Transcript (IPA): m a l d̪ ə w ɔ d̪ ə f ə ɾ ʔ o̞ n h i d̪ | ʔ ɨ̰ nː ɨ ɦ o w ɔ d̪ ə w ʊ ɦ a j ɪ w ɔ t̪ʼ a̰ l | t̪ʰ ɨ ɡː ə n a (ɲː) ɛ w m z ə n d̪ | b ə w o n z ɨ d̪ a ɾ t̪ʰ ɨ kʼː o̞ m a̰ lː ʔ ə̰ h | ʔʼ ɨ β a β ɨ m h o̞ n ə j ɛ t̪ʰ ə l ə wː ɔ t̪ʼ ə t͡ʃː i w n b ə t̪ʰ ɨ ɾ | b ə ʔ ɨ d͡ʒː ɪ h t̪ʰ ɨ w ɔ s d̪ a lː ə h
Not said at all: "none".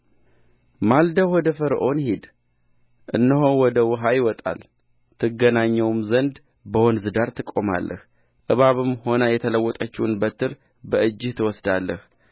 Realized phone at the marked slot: ɲː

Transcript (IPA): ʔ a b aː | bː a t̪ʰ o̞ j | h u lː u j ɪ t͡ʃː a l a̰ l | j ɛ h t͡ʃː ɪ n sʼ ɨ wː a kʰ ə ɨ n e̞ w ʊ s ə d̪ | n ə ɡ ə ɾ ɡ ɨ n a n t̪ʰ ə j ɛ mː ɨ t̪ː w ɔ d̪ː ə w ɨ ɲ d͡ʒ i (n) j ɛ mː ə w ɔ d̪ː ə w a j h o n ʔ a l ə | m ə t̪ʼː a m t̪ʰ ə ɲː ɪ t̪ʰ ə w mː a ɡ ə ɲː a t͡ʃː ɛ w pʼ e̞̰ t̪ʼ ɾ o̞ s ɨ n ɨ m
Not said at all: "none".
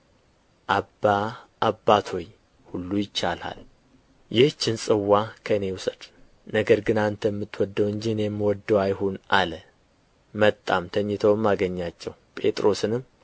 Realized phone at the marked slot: n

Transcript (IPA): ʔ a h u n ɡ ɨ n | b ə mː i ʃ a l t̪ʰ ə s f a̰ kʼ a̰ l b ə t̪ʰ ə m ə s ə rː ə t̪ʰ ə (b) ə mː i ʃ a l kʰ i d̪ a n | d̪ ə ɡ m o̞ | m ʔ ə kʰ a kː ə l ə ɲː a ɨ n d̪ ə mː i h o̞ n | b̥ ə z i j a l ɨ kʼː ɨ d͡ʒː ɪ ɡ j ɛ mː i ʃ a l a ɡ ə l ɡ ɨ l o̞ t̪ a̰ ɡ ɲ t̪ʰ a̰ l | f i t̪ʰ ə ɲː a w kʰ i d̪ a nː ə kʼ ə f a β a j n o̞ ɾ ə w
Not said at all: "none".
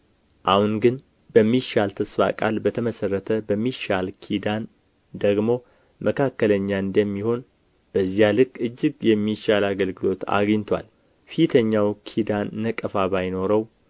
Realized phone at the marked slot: b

